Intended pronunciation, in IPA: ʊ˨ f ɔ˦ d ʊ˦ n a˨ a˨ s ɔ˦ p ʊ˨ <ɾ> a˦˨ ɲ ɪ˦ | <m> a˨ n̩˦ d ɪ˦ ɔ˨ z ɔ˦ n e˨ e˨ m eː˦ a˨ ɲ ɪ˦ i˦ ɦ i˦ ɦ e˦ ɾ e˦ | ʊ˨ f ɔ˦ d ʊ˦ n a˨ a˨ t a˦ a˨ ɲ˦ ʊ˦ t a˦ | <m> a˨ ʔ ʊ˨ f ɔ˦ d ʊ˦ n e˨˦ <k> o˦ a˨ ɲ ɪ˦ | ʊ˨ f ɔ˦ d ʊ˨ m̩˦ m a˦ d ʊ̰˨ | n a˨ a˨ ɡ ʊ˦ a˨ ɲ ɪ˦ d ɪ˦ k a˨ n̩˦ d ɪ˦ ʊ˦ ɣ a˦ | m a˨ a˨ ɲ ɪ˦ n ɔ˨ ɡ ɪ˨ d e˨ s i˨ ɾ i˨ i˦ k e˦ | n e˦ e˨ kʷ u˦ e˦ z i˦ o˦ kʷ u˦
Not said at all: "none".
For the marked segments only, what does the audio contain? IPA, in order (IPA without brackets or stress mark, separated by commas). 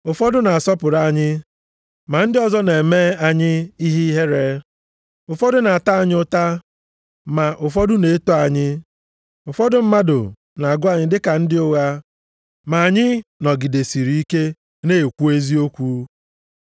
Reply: ɾ, m, m, t